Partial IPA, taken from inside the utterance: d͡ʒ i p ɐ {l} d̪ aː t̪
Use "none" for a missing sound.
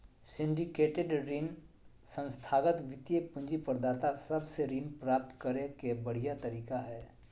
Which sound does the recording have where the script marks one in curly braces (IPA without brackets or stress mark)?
ɾ